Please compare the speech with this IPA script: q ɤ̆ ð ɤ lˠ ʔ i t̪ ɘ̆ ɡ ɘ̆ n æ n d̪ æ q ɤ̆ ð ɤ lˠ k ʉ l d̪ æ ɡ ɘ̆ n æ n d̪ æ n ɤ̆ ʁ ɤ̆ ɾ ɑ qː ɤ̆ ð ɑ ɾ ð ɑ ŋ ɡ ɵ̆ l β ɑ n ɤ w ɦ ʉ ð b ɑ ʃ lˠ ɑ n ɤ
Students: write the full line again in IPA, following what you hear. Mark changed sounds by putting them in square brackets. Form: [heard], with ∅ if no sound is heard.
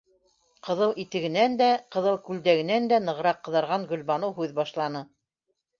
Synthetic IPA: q ɤ̆ ð ɤ lˠ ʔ i t̪ ɘ̆ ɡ ɘ̆ n æ n d̪ æ q ɤ̆ ð ɤ lˠ k ʉ l d̪ æ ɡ ɘ̆ n æ n d̪ æ n ɤ̆ ʁ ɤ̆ ɾ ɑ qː ɤ̆ ð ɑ ɾ [ʁ] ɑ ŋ ɡ ɵ̆ l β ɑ n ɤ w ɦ ʉ ð b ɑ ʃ lˠ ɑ n ɤ